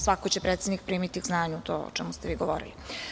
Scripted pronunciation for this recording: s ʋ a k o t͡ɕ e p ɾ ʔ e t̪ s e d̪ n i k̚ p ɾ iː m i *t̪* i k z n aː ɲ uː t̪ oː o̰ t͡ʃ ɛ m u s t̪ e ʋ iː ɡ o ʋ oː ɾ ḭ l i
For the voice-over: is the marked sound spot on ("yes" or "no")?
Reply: yes